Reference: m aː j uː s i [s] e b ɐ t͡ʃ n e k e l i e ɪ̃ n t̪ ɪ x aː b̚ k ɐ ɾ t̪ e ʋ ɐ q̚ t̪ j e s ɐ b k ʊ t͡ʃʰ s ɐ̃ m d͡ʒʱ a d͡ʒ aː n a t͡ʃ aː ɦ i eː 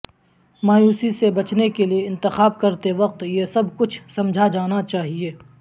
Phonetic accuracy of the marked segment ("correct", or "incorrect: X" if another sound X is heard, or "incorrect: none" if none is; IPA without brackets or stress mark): correct